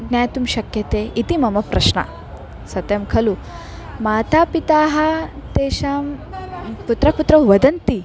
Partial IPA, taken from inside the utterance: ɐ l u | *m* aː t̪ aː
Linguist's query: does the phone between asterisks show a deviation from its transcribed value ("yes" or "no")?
no